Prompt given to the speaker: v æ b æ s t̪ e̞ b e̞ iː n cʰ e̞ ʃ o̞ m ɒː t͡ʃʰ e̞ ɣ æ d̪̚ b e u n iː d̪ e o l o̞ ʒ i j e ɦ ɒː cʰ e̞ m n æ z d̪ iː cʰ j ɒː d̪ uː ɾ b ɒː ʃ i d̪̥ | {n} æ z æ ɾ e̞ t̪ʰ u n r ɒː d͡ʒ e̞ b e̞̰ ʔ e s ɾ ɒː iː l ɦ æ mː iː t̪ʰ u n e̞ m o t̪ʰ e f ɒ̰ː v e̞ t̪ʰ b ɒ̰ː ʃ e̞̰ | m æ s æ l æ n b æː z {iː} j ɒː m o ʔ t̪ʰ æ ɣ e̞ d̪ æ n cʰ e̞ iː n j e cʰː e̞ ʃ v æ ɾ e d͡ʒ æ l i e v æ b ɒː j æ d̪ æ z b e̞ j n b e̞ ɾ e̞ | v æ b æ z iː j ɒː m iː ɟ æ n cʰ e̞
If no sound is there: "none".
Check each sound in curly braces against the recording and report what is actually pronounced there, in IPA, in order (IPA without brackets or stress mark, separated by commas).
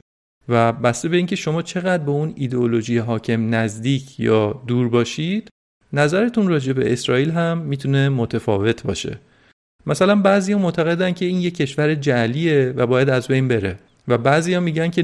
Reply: n, i